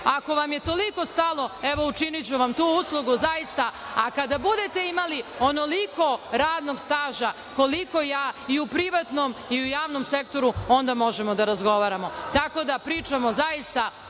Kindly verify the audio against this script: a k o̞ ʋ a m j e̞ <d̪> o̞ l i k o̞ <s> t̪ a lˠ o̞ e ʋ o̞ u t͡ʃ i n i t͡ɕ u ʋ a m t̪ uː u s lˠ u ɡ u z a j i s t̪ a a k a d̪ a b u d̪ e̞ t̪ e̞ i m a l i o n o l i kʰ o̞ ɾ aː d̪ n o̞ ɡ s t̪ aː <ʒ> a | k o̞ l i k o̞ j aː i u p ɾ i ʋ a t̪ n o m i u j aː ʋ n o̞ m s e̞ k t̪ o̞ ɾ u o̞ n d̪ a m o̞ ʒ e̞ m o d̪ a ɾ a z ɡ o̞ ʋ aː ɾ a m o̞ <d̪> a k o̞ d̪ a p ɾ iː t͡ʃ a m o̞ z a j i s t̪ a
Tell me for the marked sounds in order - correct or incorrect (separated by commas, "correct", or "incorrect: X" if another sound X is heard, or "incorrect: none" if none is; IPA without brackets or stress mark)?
incorrect: t̪, correct, correct, incorrect: t̪